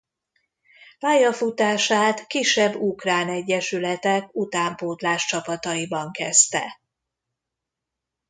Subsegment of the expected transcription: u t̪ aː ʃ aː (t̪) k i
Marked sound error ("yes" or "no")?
no